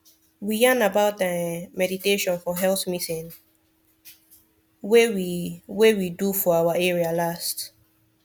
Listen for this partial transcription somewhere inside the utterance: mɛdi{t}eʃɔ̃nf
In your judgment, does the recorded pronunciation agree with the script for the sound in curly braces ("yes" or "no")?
yes